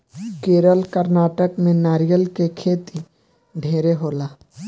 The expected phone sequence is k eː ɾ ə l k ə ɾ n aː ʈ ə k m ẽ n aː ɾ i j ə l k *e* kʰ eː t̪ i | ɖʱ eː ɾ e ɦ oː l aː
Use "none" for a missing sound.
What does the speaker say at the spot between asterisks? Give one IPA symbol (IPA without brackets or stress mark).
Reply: e